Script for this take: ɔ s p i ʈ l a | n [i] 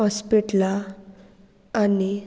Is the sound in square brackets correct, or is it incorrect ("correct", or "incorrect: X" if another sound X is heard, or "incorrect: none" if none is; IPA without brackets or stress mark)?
correct